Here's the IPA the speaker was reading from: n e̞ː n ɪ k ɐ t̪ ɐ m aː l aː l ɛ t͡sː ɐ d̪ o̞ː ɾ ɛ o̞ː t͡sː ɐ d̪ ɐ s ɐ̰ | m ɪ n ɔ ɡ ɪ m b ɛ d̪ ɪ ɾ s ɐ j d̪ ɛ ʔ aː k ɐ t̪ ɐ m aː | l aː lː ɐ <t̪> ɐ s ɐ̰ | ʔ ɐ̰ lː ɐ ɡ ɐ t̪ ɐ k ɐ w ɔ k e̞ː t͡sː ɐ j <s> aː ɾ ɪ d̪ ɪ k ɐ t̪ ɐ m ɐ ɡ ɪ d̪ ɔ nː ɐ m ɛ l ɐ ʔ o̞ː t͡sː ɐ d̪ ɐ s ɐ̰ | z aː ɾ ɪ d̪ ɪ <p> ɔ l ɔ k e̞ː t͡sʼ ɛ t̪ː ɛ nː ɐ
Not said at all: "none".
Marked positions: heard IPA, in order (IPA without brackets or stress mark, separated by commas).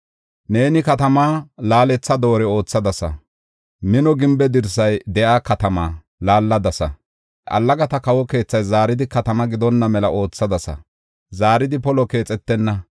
d̪, z, p